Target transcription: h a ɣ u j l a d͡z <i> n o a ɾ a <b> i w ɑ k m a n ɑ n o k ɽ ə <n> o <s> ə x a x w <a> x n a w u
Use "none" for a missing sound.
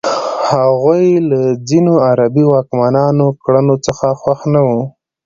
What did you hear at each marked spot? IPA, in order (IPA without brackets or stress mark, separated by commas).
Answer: i, b, n, t͡s, a